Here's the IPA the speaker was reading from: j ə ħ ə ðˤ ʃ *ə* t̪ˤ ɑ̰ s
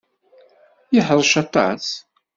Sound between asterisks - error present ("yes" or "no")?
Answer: yes